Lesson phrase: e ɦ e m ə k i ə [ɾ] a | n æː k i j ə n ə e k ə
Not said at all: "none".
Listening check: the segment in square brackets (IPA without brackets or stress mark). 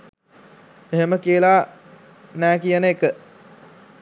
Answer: l